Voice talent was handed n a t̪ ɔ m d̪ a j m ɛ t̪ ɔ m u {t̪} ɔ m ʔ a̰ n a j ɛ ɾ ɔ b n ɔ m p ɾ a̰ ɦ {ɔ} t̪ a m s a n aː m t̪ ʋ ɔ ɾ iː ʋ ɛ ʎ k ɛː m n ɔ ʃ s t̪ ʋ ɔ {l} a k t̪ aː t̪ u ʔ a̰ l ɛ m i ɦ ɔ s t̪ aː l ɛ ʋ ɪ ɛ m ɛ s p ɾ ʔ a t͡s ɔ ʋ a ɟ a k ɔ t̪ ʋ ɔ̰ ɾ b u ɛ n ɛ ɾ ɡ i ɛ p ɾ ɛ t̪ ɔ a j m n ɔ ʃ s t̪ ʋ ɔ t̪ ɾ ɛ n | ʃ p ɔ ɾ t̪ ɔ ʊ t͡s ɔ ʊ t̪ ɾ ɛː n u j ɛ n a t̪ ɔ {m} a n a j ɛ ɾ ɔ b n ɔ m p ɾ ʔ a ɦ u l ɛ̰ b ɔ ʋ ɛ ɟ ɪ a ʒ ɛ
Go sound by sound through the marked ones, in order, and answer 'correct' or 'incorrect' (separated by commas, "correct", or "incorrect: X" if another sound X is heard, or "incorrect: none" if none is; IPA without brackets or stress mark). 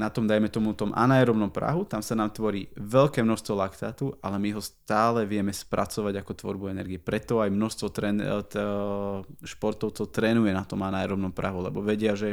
correct, incorrect: u, correct, correct